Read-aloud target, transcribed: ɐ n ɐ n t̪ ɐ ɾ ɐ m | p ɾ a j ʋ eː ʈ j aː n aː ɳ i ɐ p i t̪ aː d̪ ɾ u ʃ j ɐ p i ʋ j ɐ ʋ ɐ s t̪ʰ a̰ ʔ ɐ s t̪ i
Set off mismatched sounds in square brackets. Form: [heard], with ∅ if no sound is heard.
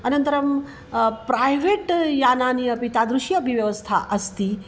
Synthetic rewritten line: ɐ n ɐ n t̪ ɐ ɾ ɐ m | p ɾ a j ʋ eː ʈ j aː n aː [n] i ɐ p i t̪ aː d̪ ɾ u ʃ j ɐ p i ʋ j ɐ ʋ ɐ s t̪ʰ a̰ ʔ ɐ s t̪ i